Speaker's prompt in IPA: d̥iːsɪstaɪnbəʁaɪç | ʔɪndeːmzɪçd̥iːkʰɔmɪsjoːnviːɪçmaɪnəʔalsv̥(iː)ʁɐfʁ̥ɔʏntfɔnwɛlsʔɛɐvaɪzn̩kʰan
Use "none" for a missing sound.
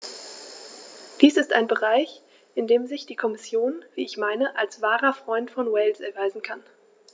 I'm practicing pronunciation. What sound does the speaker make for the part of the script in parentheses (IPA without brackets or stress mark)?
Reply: aː